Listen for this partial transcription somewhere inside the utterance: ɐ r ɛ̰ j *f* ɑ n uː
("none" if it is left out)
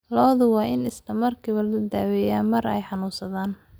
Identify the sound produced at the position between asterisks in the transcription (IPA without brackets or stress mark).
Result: ħ